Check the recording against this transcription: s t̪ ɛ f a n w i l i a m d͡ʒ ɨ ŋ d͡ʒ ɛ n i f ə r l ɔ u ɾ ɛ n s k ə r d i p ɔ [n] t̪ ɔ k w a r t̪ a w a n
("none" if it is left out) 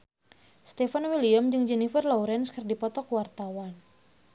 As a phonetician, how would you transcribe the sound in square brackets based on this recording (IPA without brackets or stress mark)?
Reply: none